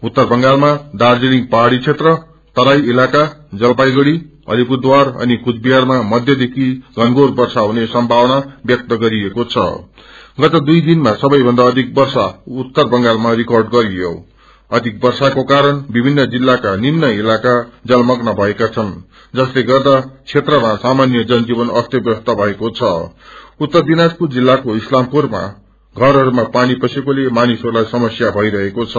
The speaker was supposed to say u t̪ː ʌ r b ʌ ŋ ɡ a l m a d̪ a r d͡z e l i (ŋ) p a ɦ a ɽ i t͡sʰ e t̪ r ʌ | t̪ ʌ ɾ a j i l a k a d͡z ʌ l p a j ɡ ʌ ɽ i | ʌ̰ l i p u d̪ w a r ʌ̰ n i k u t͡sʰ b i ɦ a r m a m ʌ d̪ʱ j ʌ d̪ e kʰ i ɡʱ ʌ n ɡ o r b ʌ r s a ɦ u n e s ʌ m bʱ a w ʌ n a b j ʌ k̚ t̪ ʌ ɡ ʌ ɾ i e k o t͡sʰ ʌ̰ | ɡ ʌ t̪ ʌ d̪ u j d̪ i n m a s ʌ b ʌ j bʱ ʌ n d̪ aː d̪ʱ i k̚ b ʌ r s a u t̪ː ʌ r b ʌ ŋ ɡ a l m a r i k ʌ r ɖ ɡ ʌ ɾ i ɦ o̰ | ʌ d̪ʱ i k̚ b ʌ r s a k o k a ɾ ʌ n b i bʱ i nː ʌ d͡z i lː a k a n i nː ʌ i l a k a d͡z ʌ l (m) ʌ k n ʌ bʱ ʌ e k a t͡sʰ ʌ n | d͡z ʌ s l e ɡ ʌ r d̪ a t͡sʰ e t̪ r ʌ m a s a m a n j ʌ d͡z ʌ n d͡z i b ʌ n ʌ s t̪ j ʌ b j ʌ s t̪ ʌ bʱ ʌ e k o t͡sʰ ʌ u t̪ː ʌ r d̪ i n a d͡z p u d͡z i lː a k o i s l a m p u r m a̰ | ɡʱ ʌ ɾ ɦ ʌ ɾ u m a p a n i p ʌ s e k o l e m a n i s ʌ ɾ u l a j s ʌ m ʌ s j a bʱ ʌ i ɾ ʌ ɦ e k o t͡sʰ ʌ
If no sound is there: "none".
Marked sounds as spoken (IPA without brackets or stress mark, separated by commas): ŋ, m